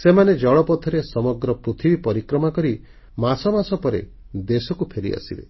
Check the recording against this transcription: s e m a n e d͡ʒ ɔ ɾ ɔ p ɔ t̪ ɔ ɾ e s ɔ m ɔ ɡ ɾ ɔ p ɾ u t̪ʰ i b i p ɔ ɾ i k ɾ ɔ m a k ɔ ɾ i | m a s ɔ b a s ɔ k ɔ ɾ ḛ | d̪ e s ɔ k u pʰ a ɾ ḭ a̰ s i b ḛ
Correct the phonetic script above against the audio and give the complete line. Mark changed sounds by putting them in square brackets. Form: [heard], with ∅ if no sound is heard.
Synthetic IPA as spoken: s e m a n e d͡ʒ ɔ [ɭ] ɔ p ɔ [t̪ʰ] ɔ ɾ e s ɔ m ɔ ɡ ɾ ɔ p ɾ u t̪ʰ i b i p ɔ ɾ i k ɾ ɔ m a k ɔ ɾ i | m a s ɔ [m] a s ɔ [p] ɔ ɾ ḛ | d̪ e s ɔ k u pʰ [e] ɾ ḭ a̰ s i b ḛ